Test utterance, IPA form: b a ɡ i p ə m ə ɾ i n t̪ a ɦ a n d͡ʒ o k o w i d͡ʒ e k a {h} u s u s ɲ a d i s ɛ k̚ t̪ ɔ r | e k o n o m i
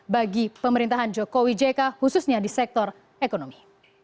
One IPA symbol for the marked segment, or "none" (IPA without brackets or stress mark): h